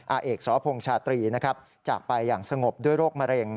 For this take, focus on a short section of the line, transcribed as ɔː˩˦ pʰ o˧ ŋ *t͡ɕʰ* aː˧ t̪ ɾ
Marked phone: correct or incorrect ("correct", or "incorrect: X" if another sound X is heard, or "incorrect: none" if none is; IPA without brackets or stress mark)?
correct